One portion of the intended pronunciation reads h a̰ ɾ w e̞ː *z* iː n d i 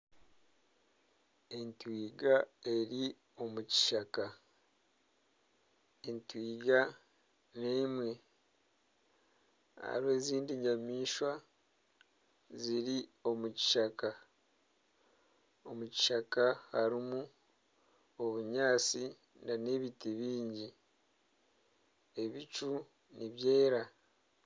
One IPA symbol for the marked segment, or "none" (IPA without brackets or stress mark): z